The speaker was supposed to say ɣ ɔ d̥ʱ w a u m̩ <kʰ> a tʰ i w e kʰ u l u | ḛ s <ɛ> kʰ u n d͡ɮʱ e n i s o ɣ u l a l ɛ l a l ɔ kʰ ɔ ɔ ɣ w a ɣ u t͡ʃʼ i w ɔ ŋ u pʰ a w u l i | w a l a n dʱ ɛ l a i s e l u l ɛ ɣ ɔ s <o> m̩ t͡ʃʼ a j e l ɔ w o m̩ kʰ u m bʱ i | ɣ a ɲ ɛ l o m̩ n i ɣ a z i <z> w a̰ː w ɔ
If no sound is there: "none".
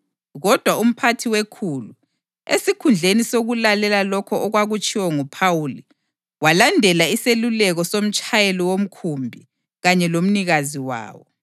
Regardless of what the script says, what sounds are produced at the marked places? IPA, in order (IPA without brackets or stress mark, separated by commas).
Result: pʰ, i, o, none